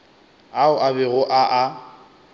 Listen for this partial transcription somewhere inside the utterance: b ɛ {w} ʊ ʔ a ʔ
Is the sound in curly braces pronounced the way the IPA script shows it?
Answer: no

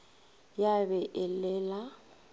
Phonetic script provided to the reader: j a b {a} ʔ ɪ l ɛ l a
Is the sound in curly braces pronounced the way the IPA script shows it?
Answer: no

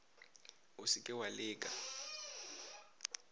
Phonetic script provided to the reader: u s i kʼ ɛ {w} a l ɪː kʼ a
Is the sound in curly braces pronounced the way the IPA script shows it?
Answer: yes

